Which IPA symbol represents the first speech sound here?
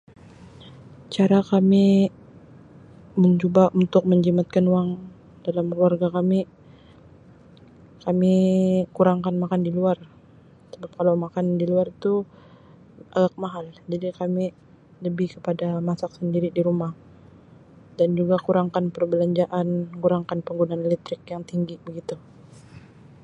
t͡ʃ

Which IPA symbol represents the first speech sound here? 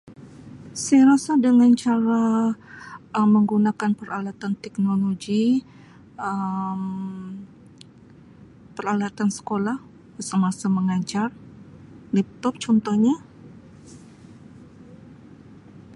s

